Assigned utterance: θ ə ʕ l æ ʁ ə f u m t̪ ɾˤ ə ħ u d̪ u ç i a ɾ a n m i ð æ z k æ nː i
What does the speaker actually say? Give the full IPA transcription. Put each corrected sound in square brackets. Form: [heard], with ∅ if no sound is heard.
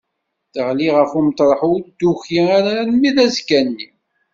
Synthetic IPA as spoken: θ ə [ʁ] l [i] ʁ ə f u m t̪ ɾˤ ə ħ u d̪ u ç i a ɾ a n m i ð æ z k æ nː i